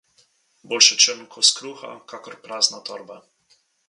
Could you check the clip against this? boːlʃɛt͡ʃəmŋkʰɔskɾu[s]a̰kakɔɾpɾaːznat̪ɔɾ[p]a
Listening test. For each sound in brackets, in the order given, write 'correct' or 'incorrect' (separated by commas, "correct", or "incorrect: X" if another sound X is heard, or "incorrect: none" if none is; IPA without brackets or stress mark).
incorrect: x, incorrect: b